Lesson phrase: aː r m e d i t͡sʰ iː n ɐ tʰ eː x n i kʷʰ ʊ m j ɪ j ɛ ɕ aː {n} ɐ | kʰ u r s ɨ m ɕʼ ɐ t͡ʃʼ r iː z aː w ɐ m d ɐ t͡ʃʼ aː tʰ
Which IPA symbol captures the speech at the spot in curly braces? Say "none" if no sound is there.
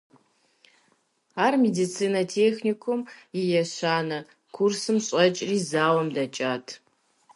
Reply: n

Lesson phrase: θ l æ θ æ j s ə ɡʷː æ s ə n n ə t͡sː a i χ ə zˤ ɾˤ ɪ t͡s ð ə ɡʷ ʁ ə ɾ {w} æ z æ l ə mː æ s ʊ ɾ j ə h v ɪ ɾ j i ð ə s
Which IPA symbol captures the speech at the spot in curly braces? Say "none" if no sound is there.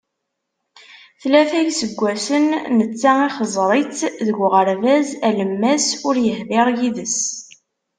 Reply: v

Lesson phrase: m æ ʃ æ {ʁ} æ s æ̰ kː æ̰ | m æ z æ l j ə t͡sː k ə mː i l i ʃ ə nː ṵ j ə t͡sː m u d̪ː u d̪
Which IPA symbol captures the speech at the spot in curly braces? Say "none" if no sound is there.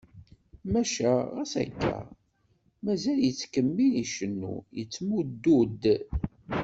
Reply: ʁ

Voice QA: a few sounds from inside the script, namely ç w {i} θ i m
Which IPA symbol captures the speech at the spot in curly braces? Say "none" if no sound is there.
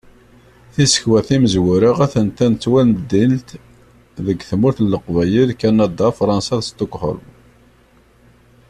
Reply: æ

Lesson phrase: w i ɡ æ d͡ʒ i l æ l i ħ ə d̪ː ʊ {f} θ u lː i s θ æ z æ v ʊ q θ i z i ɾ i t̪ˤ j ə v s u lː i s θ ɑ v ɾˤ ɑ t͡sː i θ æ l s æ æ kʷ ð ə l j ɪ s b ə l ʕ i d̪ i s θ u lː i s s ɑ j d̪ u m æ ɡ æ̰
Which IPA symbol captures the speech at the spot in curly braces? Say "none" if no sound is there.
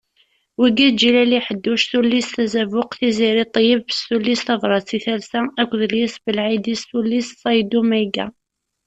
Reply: ʃ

